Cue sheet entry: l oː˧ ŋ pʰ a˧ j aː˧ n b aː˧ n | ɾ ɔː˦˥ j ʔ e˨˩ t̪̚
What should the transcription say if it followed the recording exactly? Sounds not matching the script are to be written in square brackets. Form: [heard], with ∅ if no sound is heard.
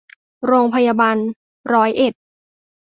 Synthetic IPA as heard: [ɾ] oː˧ ŋ pʰ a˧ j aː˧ [∅] b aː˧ n | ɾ ɔː˦˥ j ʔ e˨˩ t̪̚